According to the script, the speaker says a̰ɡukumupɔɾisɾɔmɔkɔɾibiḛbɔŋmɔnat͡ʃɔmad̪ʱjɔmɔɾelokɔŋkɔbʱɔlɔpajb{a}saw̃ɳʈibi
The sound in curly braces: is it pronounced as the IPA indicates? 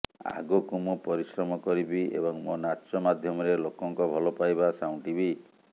yes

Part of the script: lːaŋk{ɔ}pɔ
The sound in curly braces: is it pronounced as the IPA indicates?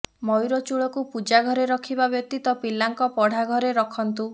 yes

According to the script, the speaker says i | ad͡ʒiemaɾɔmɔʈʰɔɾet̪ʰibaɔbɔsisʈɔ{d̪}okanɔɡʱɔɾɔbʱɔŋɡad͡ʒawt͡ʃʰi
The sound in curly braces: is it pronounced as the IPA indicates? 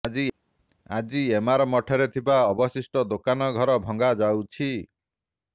yes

